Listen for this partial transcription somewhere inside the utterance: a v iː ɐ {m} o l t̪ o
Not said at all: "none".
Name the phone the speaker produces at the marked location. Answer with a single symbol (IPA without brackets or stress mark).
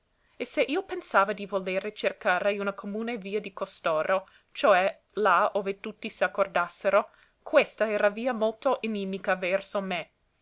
m